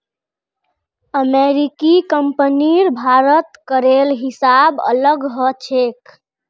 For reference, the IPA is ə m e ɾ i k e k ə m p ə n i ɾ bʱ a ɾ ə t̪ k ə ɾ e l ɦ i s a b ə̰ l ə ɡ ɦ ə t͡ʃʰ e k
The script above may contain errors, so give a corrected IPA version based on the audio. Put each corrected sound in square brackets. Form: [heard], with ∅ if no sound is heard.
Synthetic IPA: ə m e ɾ i k [i] k ə m p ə n i ɾ bʱ a ɾ ə t̪ k ə ɾ e l ɦ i s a b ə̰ l ə ɡ ɦ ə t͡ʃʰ e k